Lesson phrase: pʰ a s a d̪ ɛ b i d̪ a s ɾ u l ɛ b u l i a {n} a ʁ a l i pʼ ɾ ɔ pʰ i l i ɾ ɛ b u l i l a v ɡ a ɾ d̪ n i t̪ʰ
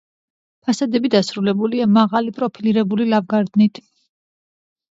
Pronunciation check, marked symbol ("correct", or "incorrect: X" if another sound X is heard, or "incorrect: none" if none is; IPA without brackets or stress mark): incorrect: m